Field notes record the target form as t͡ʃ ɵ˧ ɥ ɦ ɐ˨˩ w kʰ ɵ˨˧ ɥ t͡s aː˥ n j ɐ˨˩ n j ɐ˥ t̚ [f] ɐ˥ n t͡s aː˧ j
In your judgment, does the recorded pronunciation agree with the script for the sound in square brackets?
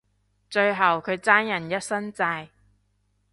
no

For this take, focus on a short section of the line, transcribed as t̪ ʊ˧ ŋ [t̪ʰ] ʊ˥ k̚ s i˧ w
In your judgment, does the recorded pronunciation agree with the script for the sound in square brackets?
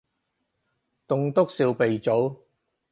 no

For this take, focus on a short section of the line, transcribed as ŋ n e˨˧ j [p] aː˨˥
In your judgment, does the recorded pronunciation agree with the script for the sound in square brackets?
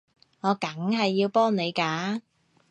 no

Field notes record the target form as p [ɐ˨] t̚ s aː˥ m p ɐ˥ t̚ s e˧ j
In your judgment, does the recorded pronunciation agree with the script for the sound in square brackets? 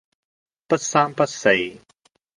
no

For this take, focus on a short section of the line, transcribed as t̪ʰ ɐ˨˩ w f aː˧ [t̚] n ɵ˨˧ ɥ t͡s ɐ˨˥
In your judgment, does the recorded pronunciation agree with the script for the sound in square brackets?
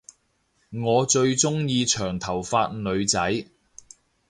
yes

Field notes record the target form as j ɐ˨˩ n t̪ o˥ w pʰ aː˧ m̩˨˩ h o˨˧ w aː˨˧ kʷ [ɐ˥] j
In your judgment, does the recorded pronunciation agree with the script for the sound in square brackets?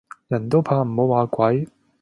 no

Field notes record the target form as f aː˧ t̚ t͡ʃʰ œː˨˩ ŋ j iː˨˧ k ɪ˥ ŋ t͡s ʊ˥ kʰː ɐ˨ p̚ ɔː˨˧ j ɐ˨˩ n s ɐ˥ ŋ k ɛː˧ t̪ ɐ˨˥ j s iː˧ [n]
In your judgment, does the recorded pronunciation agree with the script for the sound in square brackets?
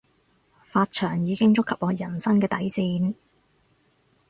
yes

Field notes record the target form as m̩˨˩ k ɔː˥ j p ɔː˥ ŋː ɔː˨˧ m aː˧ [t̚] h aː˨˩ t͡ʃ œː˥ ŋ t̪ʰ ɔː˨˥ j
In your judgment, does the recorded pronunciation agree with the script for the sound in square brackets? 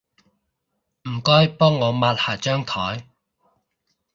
yes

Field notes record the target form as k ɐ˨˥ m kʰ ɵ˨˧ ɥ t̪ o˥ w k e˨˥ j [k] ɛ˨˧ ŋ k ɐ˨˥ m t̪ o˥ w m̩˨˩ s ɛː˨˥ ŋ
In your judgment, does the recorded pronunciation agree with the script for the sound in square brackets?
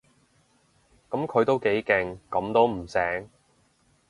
yes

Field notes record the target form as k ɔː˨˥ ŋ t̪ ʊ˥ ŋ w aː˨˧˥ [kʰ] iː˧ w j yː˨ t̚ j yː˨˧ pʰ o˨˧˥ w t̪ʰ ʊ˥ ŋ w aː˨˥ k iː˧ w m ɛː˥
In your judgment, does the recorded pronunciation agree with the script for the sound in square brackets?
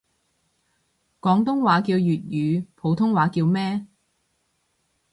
no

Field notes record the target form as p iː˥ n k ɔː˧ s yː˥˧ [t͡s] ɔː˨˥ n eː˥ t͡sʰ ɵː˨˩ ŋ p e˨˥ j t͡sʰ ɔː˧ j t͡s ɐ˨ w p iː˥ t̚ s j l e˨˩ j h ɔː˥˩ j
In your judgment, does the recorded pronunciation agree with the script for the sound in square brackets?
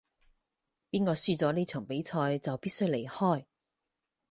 yes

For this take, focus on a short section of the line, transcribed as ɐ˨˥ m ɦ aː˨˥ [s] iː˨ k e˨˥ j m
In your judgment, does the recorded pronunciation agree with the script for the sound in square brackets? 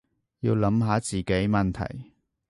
no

